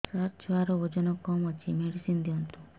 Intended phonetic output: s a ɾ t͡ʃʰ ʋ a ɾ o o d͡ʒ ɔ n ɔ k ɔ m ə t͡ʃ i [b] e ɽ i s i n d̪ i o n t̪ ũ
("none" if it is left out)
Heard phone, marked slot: m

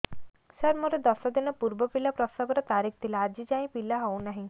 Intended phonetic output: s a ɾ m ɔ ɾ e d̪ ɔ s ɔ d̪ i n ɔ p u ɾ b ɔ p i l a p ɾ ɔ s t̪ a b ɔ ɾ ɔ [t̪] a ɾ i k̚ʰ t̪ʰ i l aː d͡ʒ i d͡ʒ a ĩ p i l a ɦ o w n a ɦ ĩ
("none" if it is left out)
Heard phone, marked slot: t̪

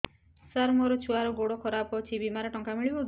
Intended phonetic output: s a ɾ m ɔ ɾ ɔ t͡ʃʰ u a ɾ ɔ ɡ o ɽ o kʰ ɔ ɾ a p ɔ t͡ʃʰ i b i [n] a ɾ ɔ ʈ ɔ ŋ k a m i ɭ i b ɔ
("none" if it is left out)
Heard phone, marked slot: m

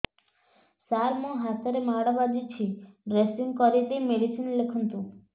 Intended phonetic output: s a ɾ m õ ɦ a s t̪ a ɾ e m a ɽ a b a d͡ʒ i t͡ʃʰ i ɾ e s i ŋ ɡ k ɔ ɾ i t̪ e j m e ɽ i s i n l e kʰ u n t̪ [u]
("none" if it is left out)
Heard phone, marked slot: u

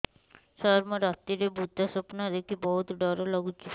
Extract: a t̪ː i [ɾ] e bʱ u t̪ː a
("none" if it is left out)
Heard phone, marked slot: ɾ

